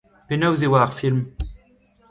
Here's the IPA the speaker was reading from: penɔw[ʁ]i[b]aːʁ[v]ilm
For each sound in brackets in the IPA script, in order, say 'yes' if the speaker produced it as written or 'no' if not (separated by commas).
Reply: no, no, no